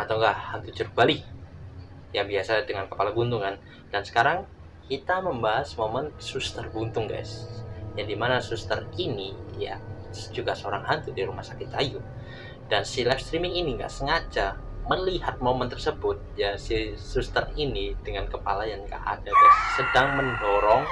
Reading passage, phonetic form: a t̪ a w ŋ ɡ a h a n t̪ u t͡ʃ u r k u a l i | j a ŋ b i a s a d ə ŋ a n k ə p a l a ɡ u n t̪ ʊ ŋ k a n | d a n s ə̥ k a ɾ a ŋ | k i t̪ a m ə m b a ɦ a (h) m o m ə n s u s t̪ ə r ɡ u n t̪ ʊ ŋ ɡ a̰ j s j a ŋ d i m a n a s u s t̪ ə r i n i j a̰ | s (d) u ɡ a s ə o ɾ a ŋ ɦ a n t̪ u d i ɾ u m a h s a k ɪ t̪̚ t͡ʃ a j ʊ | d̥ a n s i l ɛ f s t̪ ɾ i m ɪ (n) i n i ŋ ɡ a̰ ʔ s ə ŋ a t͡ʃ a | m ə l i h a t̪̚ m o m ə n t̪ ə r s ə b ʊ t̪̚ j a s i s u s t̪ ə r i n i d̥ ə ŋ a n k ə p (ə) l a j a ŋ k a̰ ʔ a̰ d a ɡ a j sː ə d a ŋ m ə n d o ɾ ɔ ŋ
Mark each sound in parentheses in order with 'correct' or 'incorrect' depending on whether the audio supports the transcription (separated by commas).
incorrect, incorrect, incorrect, incorrect